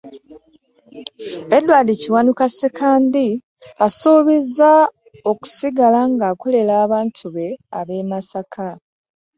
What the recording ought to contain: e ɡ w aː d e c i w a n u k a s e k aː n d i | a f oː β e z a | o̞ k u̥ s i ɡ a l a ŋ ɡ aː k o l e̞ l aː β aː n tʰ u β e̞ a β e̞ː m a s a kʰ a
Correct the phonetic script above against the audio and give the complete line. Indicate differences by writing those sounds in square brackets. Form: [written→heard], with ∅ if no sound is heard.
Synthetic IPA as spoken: e [ɡ→d] w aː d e c i w a n u k a s e k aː n d i | a [f→s] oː β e z a | o̞ k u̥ s i ɡ a l a ŋ ɡ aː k o l e̞ l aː β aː n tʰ u β e̞ a β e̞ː m a s a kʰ a

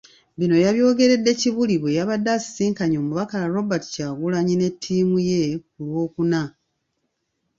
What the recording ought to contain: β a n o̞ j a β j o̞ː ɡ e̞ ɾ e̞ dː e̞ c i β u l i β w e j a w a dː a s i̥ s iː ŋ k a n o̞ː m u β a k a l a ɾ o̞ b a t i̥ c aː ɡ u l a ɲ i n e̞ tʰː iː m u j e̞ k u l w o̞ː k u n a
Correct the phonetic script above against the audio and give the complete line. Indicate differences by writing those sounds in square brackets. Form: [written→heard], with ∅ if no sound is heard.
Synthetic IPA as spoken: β [a→i] n o̞ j a β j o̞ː ɡ e̞ ɾ e̞ dː e̞ c i β u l i β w e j a [w→β] a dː a s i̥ s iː ŋ k a [n→ɲ] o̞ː m u β a k a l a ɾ o̞ b a t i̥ c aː ɡ u l a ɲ i n e̞ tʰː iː m u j e̞ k u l w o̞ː k u n a

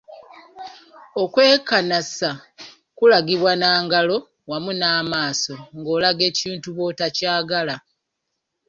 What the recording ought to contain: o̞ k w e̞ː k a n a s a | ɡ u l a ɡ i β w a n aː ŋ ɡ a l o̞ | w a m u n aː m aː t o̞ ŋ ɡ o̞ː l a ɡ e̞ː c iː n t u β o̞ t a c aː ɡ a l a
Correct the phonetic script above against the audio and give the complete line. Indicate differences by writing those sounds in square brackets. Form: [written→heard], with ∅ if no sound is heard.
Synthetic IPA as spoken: o̞ k w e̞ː k a n a s a | [ɡ→k] u l a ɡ i β w a n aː ŋ ɡ a l o̞ | w a m u n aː m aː [t→s] o̞ ŋ ɡ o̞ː l a ɡ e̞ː c iː n t u β o̞ t a c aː ɡ a l a

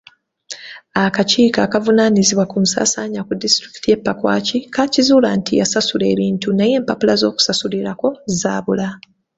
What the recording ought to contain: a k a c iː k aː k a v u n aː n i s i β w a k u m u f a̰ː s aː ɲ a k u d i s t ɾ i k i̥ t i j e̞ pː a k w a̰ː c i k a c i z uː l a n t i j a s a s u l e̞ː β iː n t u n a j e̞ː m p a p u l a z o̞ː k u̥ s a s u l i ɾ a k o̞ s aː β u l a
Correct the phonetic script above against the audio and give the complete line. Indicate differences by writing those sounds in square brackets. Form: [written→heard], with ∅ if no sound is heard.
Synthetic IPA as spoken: a k a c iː k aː k a v u n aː n i [s→z] i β w a k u m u [f→s] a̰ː s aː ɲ a k u d i s t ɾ i k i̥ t i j e̞ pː a k w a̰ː c i k a c i z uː l a n t i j a s a s u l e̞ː β iː n t u n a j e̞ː m p a p u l a z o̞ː k u̥ s a s u l i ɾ a k o̞ [s→z] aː β u l a

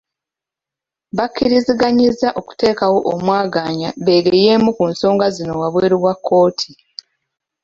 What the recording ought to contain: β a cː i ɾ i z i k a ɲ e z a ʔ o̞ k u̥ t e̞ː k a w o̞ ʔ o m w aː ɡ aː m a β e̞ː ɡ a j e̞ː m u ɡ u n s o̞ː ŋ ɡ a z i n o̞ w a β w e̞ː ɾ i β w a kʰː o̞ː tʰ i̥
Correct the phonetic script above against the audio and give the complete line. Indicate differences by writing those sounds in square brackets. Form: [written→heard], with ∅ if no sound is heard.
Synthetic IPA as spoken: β a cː i ɾ i z i [k→ɡ] a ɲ [e→i] z a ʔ o̞ k u̥ t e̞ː k a w o̞ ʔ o m w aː ɡ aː [m→ɲ] a β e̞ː ɡ [a→e] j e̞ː m u [ɡ→k] u n s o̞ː ŋ ɡ a z i n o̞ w a β w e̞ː ɾ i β w a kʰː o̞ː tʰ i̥

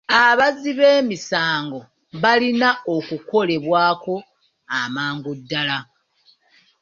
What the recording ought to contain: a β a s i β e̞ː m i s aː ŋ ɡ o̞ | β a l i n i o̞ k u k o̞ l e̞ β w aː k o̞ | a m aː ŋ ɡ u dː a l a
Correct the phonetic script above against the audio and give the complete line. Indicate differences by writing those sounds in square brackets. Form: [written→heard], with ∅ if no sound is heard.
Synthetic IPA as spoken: a β a [s→z] i β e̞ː m i s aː ŋ ɡ o̞ | β a l i n [i→a] o̞ k u k o̞ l e̞ β w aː k o̞ | a m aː ŋ ɡ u dː a l a

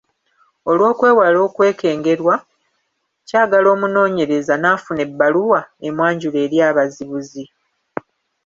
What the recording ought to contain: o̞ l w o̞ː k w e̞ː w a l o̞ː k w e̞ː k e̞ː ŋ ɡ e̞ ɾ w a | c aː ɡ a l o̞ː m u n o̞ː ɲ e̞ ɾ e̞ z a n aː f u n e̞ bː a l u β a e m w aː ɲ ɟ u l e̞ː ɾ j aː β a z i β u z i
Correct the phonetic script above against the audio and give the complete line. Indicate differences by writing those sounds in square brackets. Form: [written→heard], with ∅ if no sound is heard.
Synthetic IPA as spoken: o̞ l w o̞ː k w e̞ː w a l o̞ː k w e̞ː k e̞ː ŋ ɡ e̞ ɾ w a | c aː ɡ a l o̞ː m u n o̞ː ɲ e̞ ɾ e̞ z a n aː f u n e̞ bː a l u [β→w] a e m w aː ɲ ɟ u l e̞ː ɾ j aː β a z i β u z i

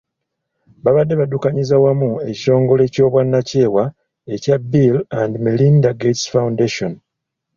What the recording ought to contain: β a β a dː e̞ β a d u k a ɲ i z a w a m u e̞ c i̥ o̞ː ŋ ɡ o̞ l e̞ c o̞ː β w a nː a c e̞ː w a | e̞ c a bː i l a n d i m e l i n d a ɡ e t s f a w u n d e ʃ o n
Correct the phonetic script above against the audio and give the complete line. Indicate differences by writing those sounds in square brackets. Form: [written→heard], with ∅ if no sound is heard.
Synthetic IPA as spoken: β a β a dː e̞ β a d u k a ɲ i z a w a m u e̞ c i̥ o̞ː ŋ ɡ o̞ l e̞ c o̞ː β w a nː a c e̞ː w a | e̞ c a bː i l a n d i m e l i n d a ɡ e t s f a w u n d e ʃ o n

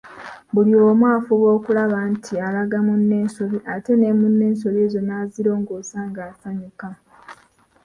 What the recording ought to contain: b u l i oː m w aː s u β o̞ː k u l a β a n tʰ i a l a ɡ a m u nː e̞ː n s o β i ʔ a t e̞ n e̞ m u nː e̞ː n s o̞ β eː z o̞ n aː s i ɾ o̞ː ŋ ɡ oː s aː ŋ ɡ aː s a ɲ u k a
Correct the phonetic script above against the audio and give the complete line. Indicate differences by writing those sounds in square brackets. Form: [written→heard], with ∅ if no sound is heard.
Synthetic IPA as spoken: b u l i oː m w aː [s→f] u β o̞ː k u l a β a n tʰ i a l a ɡ a m u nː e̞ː n s o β i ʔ a t e̞ n e̞ m u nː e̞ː n s o̞ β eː z o̞ n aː [s→z] i ɾ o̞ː ŋ ɡ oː s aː ŋ ɡ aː s a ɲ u k a

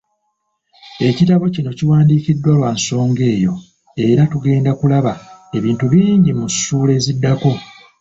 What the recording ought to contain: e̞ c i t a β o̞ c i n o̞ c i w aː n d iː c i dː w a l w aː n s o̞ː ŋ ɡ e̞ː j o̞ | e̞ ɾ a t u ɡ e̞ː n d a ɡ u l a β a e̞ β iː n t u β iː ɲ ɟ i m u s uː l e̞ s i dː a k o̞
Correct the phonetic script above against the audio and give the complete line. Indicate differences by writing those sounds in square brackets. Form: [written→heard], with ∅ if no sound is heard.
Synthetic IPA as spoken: e̞ c i t a β o̞ c i n o̞ c i w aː n d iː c i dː w a l w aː n s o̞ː ŋ ɡ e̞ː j o̞ | e̞ ɾ a t u ɡ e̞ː n d a [ɡ→k] u l a β a e̞ β iː n t u β iː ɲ ɟ i m u s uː l e̞ [s→z] i dː a k o̞

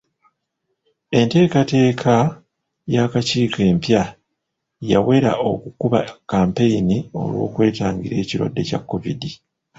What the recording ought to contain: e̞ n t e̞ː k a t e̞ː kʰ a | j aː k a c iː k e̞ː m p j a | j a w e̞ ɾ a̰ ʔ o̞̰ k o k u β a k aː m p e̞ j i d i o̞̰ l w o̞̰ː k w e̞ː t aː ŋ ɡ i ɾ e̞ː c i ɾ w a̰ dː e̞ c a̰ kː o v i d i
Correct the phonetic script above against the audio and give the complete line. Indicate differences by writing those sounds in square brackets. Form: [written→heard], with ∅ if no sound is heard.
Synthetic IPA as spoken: e̞ n t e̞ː k a t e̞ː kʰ a | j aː k a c iː k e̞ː m p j a | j a w e̞ ɾ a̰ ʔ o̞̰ k [o→u] k u β a k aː m p e̞ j i [d→n] i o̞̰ l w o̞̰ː k w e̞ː t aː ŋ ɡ i ɾ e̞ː c i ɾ w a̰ dː e̞ c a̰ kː o v i d i

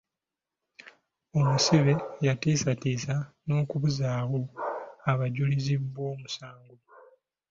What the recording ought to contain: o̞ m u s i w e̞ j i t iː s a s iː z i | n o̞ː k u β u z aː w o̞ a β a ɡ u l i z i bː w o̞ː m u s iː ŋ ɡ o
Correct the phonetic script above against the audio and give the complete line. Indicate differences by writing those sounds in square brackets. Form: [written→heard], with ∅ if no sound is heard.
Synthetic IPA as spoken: o̞ m u s i [w→β] e̞ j [i→a] t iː s a [s→t] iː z [i→a] | n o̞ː k u β u z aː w o̞ a β a [ɡ→ɟ] u l i z i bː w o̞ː m u s [iː→aː] ŋ ɡ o

